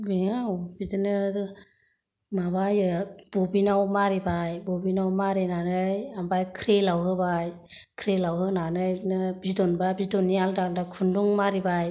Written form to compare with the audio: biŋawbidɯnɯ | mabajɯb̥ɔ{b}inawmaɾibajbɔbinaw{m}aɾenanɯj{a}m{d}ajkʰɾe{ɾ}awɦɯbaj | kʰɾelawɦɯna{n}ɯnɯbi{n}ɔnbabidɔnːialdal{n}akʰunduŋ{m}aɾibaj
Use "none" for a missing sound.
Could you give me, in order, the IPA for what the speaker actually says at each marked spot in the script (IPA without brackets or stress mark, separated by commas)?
b, m, a, b, l, n, d, d, m